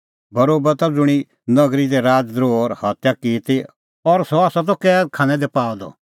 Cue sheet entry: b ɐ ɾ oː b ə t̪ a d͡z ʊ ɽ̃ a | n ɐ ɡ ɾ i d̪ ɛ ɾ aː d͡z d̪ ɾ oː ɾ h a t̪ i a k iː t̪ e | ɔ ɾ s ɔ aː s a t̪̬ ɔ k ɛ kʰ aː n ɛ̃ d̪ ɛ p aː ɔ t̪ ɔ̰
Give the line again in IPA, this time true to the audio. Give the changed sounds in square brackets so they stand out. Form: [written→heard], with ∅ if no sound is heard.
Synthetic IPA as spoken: b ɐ ɾ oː b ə t̪ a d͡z ʊ ɽ̃ [a→i] | n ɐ ɡ ɾ i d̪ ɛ ɾ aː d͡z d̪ ɾ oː ɾ h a t̪ [i→j] a k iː t̪ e | ɔ ɾ s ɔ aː s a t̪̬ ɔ k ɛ kʰ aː n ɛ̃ d̪ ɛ p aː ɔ [t̪→d̪] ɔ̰